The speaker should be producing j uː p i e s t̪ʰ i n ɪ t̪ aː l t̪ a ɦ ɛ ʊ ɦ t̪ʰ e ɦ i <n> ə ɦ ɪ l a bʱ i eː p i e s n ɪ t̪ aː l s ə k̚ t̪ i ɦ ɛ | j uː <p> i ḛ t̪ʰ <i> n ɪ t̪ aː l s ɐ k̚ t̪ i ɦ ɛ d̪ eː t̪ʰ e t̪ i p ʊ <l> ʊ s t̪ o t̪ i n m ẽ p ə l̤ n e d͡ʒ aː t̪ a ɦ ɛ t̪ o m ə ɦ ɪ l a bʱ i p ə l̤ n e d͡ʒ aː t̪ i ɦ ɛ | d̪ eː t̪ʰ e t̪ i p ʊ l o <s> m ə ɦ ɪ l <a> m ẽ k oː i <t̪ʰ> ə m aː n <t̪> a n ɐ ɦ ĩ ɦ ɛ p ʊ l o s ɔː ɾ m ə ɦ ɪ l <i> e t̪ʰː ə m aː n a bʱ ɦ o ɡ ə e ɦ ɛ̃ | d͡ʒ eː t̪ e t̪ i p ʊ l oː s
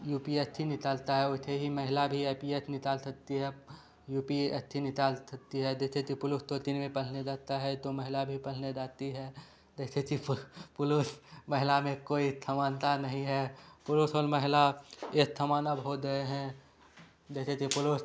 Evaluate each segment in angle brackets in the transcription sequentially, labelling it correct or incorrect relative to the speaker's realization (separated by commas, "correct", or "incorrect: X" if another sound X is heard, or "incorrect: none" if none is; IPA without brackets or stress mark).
incorrect: m, correct, correct, correct, correct, correct, correct, correct, incorrect: a